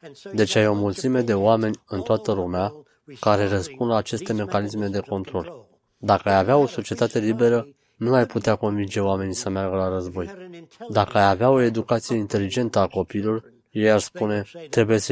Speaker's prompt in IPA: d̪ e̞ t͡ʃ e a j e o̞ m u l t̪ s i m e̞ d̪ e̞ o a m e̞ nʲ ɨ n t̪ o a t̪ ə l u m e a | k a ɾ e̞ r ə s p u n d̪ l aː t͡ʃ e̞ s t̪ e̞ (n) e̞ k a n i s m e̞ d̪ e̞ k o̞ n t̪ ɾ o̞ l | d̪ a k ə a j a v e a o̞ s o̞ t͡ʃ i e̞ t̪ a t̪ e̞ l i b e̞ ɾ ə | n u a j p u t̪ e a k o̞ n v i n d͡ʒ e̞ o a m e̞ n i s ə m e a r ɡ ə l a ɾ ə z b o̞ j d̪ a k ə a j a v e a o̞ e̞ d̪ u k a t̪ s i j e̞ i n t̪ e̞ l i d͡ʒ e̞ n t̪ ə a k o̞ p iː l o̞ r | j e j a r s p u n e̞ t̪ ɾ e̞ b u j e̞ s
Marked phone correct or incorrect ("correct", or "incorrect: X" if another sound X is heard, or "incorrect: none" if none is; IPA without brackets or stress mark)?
incorrect: m